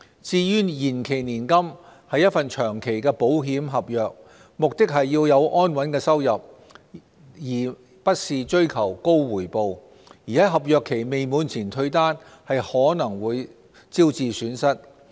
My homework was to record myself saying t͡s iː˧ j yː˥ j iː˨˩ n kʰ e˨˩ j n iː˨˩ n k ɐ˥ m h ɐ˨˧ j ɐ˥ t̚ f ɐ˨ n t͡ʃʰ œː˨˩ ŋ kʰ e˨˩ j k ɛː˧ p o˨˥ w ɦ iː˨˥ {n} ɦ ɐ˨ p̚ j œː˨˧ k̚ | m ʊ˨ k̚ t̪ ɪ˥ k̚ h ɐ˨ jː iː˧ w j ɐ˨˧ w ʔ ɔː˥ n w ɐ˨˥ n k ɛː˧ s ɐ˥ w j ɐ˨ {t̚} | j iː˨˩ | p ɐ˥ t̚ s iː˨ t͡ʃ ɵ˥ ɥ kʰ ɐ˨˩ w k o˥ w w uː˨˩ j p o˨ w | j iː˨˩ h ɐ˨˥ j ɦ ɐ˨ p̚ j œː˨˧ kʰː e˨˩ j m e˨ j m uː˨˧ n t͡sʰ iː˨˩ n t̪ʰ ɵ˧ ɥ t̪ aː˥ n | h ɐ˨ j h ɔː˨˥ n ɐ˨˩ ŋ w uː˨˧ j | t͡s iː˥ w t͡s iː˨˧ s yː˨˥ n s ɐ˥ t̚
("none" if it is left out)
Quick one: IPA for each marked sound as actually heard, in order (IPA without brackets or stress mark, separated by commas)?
m, p̚